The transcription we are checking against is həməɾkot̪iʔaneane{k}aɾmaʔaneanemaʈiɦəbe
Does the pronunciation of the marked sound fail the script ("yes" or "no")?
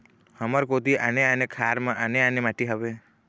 yes